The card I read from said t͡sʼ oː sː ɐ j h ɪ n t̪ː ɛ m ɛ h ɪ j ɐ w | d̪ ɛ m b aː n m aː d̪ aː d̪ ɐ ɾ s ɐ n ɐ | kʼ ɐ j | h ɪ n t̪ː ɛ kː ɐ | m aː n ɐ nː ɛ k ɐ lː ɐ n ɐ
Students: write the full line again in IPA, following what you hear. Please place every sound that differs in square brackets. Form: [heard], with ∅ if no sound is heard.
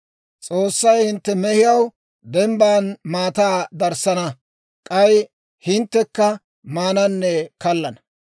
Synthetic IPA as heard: t͡sʼ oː sː ɐ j h ɪ n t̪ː ɛ m ɛ h ɪ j ɐ w | d̪ ɛ m b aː n m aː [t̪] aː d̪ ɐ ɾ s ɐ n ɐ | kʼ ɐ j | h ɪ n t̪ː ɛ kː ɐ | m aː n ɐ nː ɛ k ɐ lː ɐ n ɐ

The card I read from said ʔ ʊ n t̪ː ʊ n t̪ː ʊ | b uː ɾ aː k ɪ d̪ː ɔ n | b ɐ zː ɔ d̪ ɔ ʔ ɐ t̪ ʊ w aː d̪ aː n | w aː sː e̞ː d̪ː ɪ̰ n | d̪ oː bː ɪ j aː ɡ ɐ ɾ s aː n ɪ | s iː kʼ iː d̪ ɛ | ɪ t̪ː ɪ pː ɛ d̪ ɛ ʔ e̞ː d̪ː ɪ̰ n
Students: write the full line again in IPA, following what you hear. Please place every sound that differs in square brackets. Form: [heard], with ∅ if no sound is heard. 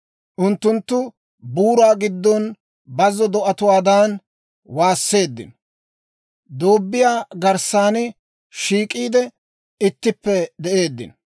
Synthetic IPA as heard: ʔ ʊ n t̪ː ʊ n t̪ː ʊ | b uː ɾ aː [ɡ] ɪ d̪ː ɔ n | b ɐ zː ɔ d̪ ɔ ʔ ɐ t̪ ʊ w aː d̪ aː n | w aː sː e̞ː d̪ː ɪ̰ n | d̪ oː bː ɪ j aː ɡ ɐ ɾ s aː n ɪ | [ʃ] iː kʼ iː d̪ ɛ | ɪ t̪ː ɪ pː ɛ d̪ ɛ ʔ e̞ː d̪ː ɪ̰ n

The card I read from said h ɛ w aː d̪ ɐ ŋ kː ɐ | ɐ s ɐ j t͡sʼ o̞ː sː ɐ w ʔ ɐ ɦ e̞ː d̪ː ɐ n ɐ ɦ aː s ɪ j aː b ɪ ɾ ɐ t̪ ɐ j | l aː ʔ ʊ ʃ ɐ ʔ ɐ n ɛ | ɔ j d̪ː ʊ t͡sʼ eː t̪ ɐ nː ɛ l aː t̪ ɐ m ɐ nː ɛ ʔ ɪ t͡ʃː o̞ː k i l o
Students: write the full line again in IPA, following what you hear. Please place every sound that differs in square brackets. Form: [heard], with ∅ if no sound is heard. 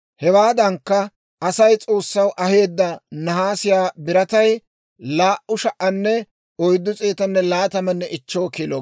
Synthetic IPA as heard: h ɛ w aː d̪ ɐ ŋ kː ɐ | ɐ s ɐ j t͡sʼ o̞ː sː ɐ w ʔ ɐ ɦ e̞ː d̪ː ɐ n ɐ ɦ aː s ɪ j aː b ɪ ɾ ɐ t̪ ɐ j | l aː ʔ ʊ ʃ ɐ ʔ ɐ [nː] ɛ | ɔ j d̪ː ʊ t͡sʼ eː t̪ ɐ nː ɛ l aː t̪ ɐ m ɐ nː ɛ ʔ ɪ t͡ʃː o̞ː k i l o

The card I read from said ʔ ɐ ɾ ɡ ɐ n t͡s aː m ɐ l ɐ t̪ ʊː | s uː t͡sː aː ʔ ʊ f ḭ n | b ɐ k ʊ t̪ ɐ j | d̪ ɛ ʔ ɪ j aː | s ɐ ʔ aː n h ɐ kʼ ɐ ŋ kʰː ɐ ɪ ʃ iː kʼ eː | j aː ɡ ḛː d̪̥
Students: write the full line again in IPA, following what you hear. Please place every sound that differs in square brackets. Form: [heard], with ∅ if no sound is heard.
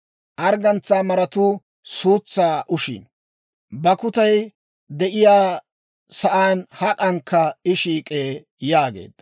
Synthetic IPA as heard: ʔ ɐ ɾ ɡ ɐ n t͡s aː m ɐ [ɾ] ɐ t̪ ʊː | s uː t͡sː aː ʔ ʊ [ʃ] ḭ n | b ɐ k ʊ t̪ ɐ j | d̪ ɛ ʔ ɪ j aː | s ɐ ʔ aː n h ɐ kʼ ɐ ŋ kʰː ɐ ɪ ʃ iː kʼ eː | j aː ɡ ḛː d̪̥

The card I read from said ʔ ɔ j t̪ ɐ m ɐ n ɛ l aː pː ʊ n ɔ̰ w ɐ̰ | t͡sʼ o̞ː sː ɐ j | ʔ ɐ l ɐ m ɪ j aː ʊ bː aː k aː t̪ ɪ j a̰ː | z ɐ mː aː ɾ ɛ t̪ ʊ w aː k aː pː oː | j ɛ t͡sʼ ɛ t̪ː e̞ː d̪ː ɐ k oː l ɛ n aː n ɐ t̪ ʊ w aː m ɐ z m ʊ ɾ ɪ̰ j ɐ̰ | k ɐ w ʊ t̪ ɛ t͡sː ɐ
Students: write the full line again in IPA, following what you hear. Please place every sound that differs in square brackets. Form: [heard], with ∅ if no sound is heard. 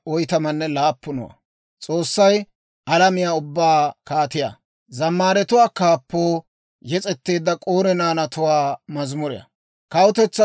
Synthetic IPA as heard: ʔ ɔ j t̪ ɐ m ɐ [nː] ɛ l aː pː ʊ n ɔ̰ w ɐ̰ | t͡sʼ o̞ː sː ɐ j | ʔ ɐ l ɐ m ɪ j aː ʊ bː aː k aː t̪ ɪ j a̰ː | z ɐ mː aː ɾ ɛ t̪ ʊ w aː k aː pː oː | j ɛ t͡sʼ ɛ t̪ː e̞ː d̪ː ɐ [kʼ] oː [ɾ] ɛ n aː n ɐ t̪ ʊ w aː m ɐ z m ʊ ɾ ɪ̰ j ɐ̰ | k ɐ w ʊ t̪ ɛ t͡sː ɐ

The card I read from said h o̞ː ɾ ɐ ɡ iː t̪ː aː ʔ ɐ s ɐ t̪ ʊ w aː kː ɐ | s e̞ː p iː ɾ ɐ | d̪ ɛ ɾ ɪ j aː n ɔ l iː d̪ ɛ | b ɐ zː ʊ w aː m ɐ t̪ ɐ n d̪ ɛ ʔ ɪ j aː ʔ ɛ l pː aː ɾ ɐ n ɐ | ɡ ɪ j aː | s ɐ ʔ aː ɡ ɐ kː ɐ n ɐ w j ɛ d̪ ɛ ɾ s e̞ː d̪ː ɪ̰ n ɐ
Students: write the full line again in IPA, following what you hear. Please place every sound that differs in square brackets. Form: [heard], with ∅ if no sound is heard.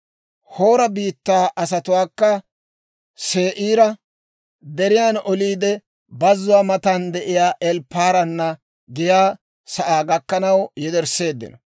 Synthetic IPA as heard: h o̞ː ɾ ɐ [b] iː t̪ː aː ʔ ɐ s ɐ t̪ ʊ w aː kː ɐ | s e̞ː [ʔ] iː ɾ ɐ | d̪ ɛ ɾ ɪ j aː n ɔ l iː d̪ ɛ | b ɐ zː ʊ w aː m ɐ t̪ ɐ n d̪ ɛ ʔ ɪ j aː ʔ ɛ l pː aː ɾ ɐ [nː] ɐ | ɡ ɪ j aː | s ɐ ʔ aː ɡ ɐ kː ɐ n ɐ w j ɛ d̪ ɛ ɾ s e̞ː d̪ː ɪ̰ n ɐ

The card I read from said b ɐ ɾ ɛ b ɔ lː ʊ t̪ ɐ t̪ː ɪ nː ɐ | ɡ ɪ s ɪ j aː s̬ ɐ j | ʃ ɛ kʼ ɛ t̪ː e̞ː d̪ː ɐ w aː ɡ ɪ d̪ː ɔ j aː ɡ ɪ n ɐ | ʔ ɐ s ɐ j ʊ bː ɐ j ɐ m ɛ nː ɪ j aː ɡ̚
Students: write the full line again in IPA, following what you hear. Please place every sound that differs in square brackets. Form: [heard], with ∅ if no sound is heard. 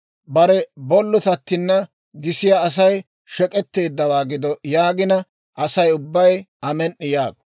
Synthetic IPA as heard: b ɐ ɾ ɛ b ɔ lː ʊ t̪ ɐ t̪ː ɪ nː ɐ | ɡ ɪ s ɪ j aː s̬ ɐ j | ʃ ɛ kʼ ɛ t̪ː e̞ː d̪ː ɐ w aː ɡ ɪ [d̪] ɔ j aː ɡ ɪ n ɐ | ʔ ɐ s ɐ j ʊ bː ɐ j ɐ m ɛ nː ɪ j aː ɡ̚

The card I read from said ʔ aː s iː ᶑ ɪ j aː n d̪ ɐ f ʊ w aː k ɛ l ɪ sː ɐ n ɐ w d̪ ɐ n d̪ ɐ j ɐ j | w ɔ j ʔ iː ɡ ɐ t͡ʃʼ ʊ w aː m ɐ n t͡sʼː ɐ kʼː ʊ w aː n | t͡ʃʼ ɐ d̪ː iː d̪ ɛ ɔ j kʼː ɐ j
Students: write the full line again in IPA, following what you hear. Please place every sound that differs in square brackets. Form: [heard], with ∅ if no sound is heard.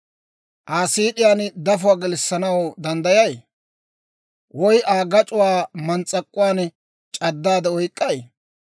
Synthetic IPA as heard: ʔ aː s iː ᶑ ɪ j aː n d̪ ɐ f ʊ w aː [ɡ] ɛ l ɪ sː ɐ n ɐ w d̪ ɐ n d̪ ɐ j ɐ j | w ɔ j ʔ [aː] ɡ ɐ t͡ʃʼ ʊ w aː m ɐ n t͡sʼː ɐ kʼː ʊ w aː n | t͡ʃʼ ɐ d̪ː [aː] d̪ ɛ ɔ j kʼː ɐ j

